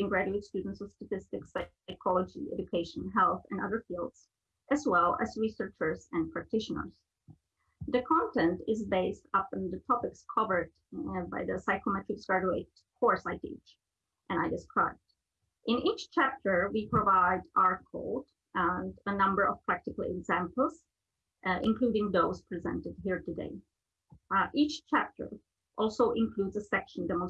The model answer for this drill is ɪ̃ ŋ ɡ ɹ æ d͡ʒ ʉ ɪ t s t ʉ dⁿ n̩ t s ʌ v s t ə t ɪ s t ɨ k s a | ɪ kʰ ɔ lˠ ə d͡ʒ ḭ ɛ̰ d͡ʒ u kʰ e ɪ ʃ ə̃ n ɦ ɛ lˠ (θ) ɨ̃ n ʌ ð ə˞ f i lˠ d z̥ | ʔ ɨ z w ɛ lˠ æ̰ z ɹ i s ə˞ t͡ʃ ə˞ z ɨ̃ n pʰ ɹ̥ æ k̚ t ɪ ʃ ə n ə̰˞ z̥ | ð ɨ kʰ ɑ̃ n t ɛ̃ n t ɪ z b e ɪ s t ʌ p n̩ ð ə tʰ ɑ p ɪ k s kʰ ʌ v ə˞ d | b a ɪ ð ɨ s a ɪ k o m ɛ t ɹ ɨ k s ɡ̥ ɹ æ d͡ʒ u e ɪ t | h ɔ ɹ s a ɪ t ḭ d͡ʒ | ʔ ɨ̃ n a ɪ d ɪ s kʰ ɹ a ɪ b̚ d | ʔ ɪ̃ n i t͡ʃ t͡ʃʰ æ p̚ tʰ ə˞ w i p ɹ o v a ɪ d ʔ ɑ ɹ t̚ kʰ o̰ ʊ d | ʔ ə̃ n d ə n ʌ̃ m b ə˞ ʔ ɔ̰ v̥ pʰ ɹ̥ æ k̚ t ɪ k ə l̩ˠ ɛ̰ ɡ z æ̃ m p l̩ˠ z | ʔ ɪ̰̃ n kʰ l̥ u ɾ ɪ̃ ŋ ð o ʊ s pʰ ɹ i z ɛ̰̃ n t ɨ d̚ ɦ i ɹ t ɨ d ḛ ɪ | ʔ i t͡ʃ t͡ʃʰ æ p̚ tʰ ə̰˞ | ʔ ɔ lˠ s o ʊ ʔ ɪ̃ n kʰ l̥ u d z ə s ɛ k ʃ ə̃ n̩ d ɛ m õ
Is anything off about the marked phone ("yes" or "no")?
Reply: no